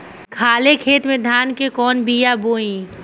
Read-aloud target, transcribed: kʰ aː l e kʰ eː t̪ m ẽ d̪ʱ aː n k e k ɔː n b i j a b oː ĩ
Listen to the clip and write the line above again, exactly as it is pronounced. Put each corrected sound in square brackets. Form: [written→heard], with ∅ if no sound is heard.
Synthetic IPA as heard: kʰ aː l e kʰ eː t̪ m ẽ d̪ʱ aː n k e k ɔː n b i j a b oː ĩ

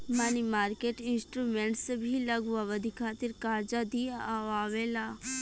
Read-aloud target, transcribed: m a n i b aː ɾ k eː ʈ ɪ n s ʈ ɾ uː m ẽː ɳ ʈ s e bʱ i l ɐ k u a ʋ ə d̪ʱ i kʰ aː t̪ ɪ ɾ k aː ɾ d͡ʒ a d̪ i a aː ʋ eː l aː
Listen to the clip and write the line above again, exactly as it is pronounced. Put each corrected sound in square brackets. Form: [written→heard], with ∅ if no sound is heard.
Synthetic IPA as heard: m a n i [b→m] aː ɾ k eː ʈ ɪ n s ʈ ɾ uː m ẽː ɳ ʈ s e bʱ i l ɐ [k→ɡ] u a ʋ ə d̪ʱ i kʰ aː t̪ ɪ ɾ k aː ɾ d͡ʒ a d̪ i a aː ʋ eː l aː

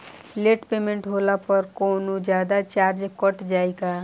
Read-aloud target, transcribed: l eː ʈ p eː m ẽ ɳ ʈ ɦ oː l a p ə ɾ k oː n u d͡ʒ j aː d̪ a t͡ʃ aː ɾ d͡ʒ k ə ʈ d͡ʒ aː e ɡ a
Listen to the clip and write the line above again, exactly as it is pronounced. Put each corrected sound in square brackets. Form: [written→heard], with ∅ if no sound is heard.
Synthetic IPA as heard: l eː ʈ p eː m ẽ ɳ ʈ ɦ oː l a p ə ɾ k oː n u d͡ʒ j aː d̪ a t͡ʃ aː ɾ d͡ʒ k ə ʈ d͡ʒ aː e ɡ a

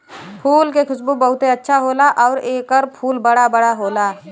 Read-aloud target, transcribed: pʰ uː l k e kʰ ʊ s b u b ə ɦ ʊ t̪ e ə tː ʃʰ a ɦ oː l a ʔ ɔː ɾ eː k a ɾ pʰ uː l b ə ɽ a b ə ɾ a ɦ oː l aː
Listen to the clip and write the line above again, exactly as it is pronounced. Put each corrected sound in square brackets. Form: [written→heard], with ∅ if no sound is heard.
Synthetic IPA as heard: pʰ uː l k e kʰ ʊ s b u b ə ɦ ʊ t̪ e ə tː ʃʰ a ɦ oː l a ʔ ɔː ɾ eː k [a→ə] ɾ pʰ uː l b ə ɽ a b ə [ɾ→ɽ] a ɦ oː l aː

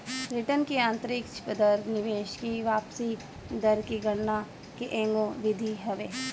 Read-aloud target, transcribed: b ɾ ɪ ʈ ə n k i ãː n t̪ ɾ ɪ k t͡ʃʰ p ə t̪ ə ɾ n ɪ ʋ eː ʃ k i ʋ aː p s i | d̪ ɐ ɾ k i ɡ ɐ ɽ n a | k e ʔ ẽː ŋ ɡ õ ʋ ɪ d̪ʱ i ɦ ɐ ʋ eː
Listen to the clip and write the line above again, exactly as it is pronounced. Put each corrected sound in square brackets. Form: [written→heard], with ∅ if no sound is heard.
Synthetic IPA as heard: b ɾ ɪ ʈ ə n k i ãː n t̪ ɾ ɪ k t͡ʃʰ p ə [t̪→d̪] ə ɾ n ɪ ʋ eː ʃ k i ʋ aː p s i | d̪ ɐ ɾ k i ɡ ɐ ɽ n a | k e ʔ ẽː ŋ ɡ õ ʋ ɪ d̪ʱ i ɦ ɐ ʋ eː

